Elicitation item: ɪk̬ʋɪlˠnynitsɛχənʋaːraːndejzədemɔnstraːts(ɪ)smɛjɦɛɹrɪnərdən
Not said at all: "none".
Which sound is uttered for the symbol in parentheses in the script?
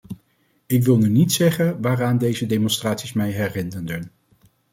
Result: i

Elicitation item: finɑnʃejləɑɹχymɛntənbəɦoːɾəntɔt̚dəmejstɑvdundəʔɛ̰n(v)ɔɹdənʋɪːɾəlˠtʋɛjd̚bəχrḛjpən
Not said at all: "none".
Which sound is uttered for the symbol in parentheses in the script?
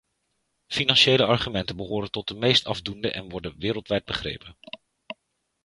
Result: ʋ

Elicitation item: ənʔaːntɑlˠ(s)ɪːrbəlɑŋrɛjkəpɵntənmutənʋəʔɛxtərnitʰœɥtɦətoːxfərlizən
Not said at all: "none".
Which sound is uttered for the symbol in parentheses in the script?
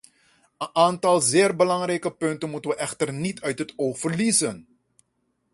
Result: z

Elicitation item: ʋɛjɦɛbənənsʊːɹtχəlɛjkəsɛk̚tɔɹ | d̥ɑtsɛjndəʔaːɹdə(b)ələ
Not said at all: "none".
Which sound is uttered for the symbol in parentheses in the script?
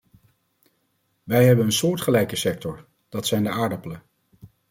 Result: p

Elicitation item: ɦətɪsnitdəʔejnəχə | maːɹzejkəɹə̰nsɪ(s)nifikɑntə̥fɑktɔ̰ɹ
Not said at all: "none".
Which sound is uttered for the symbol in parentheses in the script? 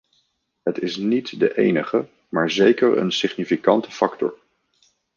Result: χ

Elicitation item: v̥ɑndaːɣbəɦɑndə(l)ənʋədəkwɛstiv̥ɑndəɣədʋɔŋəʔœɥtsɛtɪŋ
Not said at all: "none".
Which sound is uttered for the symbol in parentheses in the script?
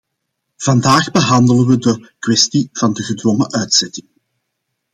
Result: l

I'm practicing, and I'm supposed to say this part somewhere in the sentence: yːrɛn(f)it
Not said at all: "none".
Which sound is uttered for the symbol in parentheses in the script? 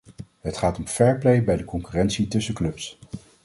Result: s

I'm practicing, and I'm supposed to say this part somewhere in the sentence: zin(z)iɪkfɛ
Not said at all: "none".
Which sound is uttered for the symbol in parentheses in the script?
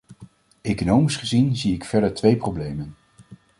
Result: z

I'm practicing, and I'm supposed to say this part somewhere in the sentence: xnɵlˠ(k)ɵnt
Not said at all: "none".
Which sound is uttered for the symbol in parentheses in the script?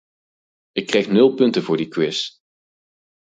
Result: p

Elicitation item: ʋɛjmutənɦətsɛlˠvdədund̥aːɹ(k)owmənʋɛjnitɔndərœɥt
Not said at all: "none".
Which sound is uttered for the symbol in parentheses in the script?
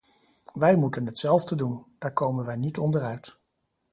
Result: k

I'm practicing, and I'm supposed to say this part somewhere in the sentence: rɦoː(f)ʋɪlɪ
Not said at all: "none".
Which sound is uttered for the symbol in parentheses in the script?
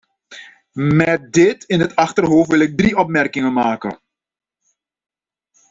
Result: f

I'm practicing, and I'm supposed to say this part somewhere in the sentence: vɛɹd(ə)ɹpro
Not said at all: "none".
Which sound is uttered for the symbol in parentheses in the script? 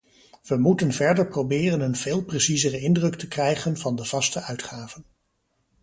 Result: ə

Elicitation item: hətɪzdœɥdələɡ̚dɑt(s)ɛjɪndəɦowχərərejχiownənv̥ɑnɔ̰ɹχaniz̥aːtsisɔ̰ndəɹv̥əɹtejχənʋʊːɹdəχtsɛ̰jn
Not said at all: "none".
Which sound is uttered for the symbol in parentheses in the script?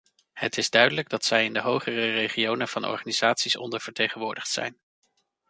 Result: s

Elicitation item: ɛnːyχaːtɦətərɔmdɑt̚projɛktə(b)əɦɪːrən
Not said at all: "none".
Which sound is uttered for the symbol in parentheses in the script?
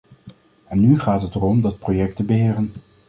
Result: b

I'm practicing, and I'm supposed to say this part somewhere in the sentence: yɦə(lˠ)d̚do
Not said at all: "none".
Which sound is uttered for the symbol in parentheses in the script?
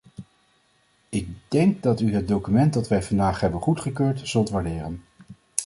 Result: none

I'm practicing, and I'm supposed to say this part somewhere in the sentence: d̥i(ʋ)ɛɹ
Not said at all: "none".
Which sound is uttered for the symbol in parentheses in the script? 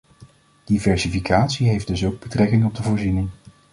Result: v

